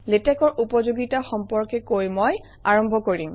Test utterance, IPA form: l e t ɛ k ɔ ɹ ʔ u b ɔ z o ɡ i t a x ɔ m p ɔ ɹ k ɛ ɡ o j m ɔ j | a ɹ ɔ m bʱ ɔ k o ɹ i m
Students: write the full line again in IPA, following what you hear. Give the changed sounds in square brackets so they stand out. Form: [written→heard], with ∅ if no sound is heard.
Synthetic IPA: l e t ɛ k ɔ ɹ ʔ u [b→p] ɔ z o ɡ i t a x ɔ m p ɔ ɹ k ɛ [ɡ→k] o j m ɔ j | a ɹ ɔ m bʱ ɔ k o ɹ i m